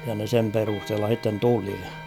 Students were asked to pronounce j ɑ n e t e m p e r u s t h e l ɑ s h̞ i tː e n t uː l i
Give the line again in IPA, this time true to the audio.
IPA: j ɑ n e s e m p e r u s t h e lː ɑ h̞ i tː e n t u l i